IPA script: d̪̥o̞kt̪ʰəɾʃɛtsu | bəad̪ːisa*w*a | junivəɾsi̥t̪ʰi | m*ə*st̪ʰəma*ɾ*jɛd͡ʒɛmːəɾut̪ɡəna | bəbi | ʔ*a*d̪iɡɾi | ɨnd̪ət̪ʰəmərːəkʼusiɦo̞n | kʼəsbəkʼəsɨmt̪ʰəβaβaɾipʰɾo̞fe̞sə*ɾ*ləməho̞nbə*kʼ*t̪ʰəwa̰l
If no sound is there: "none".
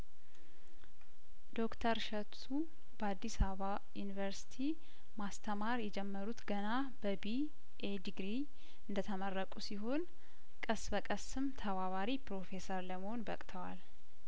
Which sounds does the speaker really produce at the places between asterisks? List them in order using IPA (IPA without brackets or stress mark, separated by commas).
β, a, ɾ, e, ɾ, kʼ